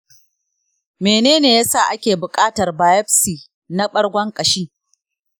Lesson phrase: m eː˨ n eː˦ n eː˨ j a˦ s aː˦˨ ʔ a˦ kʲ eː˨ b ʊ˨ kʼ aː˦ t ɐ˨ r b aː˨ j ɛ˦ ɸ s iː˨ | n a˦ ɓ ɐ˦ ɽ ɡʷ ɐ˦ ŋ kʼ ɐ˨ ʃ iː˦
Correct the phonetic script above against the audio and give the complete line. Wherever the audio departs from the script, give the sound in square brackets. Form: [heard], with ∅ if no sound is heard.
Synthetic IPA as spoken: m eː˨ n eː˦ n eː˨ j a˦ s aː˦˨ ʔ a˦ kʲ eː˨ b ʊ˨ kʼ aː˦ t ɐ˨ r b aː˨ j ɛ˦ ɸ s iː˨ | n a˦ ɓ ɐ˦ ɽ ɡʷ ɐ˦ ŋ kʼ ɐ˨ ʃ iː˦